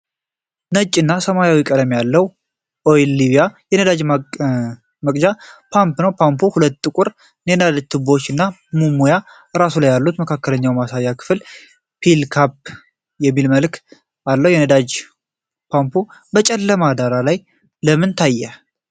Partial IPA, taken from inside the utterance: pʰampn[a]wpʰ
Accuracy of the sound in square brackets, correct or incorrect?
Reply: incorrect